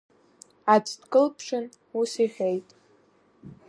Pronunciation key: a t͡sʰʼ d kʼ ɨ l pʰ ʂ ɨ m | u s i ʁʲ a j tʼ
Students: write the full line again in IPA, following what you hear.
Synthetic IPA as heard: a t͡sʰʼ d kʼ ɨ l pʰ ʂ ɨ n | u s i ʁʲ e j tʼ